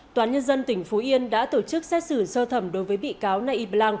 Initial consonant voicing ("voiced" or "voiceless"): voiceless